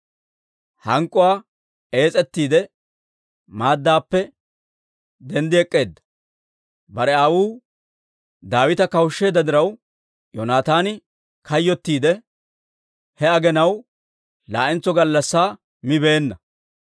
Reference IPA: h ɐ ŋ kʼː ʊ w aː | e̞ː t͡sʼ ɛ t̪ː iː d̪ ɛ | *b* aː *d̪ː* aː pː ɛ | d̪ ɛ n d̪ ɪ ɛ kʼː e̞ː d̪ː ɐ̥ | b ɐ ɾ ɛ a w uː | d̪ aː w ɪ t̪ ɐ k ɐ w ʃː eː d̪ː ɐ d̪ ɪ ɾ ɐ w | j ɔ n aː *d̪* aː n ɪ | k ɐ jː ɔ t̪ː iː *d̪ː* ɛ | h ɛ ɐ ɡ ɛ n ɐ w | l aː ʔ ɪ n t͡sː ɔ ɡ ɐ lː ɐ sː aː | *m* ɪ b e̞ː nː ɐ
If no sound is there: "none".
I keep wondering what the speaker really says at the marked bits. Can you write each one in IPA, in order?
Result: m, d̪ː, t̪, d̪, m

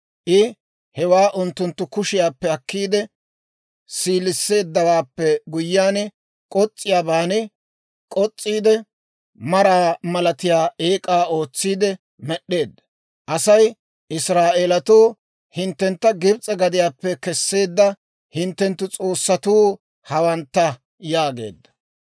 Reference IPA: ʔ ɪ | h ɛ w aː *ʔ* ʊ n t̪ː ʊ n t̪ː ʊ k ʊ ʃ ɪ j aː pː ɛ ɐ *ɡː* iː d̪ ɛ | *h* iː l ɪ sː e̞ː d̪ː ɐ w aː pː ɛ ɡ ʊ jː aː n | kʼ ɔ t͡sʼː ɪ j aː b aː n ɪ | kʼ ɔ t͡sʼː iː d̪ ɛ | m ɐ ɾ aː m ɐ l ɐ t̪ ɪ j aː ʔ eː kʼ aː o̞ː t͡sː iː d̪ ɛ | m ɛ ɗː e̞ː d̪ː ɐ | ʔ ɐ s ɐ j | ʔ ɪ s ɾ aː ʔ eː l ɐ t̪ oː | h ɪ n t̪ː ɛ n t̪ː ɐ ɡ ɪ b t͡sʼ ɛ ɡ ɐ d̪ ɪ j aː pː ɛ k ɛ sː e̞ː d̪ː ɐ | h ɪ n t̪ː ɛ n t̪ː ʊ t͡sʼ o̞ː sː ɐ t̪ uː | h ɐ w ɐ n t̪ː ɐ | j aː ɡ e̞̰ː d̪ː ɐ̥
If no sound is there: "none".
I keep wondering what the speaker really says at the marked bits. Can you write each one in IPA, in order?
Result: ʔ, kː, s

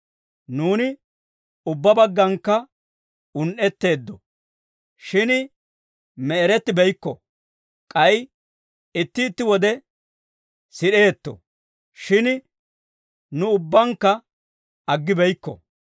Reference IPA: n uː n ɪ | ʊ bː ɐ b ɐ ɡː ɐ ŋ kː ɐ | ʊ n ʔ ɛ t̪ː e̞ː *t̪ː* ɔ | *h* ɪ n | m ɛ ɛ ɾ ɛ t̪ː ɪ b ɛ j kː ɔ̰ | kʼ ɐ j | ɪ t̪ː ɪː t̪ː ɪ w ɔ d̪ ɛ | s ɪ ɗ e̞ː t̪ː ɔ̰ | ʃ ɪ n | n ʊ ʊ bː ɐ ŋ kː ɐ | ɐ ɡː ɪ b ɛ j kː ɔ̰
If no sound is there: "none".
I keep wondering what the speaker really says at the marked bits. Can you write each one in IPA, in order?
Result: d̪ː, ʃ

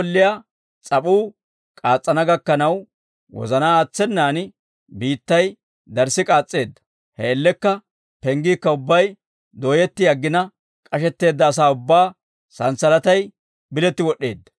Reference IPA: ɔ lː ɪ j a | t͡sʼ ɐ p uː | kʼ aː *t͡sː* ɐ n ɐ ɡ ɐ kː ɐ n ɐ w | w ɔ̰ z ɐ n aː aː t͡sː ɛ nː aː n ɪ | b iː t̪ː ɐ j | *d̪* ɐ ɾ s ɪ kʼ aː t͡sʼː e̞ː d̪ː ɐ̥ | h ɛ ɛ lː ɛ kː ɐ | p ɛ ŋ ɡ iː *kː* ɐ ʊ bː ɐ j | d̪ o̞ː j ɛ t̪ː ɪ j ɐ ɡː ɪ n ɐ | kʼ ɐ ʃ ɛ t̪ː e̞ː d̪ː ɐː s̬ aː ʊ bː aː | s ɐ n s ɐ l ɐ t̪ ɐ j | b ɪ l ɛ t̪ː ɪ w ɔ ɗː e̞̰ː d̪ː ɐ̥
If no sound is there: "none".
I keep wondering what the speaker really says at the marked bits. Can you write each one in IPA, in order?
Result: t͡sʼː, d̪, kː

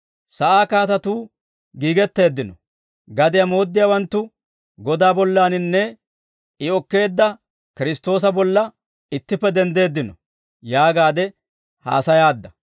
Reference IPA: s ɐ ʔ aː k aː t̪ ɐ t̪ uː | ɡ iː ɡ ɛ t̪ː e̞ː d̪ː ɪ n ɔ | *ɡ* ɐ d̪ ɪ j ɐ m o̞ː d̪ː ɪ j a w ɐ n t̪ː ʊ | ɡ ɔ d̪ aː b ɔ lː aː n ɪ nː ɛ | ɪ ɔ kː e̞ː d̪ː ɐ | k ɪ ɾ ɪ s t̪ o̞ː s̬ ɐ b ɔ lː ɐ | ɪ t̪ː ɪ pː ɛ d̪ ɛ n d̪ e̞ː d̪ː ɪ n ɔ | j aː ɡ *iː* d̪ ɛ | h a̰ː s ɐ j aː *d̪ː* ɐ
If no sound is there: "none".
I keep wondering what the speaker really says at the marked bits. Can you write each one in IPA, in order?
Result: ɡ, aː, d̪ː

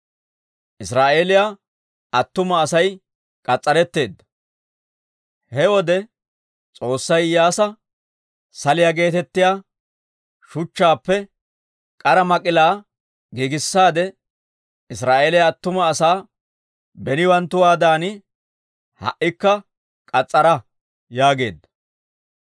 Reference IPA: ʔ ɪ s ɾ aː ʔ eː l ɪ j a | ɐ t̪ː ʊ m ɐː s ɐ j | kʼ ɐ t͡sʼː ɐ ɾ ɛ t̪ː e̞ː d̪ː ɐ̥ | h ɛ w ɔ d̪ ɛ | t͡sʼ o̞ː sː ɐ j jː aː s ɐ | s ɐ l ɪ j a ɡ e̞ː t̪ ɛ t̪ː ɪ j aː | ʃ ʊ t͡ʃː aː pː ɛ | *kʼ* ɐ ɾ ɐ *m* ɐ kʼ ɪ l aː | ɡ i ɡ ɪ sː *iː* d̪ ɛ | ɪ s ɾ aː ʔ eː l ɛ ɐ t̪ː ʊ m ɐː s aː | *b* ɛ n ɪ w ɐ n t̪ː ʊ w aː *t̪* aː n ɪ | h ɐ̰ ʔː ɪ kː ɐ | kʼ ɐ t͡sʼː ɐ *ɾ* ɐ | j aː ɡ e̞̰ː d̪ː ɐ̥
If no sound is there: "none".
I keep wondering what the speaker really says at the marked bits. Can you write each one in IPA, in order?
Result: kʼ, m, aː, b, d̪, ɾ

